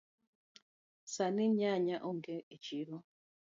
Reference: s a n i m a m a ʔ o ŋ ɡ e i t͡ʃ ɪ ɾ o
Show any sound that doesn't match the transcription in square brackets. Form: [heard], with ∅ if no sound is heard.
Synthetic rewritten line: s a n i [ɲ] a [ɲ] a ʔ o ŋ ɡ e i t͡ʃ [i] ɾ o

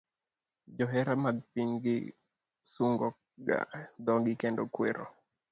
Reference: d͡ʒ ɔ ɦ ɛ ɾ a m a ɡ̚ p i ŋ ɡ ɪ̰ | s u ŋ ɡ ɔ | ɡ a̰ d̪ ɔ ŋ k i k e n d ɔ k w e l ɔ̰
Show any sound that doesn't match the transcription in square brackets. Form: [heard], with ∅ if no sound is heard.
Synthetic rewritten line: d͡ʒ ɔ ɦ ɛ ɾ a m a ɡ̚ p i ŋ ɡ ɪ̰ | s u ŋ ɡ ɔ | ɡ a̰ d̪ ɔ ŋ [ɡ] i k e n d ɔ k w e [ɾ] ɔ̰

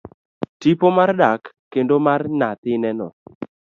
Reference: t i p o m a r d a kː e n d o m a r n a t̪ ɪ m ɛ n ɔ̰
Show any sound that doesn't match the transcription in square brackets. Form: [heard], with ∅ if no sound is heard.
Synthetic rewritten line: t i p o m a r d a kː e n d o m a r n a t̪ ɪ [n] ɛ n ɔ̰

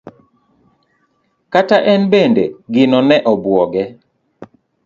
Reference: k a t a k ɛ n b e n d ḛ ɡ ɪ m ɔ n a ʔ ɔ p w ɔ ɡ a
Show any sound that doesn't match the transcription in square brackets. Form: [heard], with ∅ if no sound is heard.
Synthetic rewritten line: k a t a [ʔ] ɛ n b e n d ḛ ɡ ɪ [n] ɔ n [ɛ] ʔ ɔ [b] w ɔ ɡ [ɛ]

